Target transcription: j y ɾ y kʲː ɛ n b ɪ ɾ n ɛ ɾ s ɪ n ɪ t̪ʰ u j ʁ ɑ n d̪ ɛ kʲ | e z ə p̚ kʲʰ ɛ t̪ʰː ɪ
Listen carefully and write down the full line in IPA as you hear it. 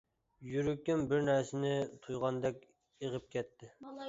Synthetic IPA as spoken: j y ɾ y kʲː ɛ n b ɪ ɾ n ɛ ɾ s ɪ n ɪ t̪ʰ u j ʁ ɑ n d̪ ɛ kʲ | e ʁ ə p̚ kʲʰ ɛ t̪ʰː ɪ